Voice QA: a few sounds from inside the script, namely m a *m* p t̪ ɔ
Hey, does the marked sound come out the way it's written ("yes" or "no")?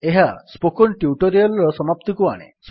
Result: no